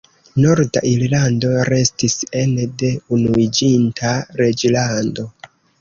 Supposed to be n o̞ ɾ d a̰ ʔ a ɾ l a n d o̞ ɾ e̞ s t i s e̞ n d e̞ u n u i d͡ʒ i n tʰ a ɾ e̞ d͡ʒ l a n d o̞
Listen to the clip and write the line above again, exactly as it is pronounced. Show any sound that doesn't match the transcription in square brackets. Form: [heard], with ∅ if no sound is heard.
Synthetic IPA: n o̞ ɾ d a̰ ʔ [i] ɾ l a n d o̞ ɾ e̞ s t i s e̞ n d e̞ u n u i d͡ʒ i n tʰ a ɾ e̞ d͡ʒ l a n d o̞